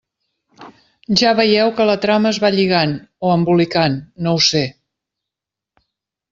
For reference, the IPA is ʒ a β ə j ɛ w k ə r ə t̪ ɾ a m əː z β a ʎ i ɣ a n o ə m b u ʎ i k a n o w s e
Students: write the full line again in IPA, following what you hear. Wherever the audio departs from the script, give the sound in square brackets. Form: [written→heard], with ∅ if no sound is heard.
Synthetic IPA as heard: ʒ a β ə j ɛ w k ə [r→l] ə t̪ ɾ a m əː z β a ʎ i ɣ a n o ə m b u [ʎ→l] i k a [n→nː] o w s e